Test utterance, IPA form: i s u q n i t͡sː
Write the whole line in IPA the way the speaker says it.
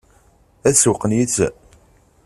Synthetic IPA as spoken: æ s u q n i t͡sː